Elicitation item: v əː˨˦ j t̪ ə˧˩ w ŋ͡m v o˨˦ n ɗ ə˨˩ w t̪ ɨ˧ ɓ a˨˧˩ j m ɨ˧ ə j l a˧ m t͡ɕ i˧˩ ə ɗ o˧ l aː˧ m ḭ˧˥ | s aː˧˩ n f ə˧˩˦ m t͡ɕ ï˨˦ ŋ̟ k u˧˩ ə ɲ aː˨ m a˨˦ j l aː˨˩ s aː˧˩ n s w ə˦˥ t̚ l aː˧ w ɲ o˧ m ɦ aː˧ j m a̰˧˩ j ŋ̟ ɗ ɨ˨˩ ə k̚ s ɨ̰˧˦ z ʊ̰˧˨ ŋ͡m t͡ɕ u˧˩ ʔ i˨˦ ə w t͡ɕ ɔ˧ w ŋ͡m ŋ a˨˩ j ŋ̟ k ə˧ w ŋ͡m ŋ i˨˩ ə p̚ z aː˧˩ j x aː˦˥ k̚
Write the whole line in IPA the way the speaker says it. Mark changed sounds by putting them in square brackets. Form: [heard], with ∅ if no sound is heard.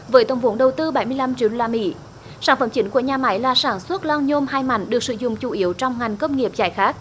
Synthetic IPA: v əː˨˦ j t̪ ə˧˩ w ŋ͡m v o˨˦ n ɗ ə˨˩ w t̪ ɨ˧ ɓ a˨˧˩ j m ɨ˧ ə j l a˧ m t͡ɕ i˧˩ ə ɗ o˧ l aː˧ m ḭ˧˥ | s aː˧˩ n f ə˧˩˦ m t͡ɕ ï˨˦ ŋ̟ k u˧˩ ə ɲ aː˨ m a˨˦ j l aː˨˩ s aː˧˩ n s w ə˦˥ t̚ l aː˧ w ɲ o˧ m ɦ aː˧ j m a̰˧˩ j ŋ̟ ɗ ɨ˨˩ ə k̚ s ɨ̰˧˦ z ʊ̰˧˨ ŋ͡m t͡ɕ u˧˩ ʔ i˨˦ ə w t͡ɕ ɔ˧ w ŋ͡m ŋ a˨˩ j ŋ̟ k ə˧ w ŋ͡m ŋ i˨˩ ə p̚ z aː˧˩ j x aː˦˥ k̚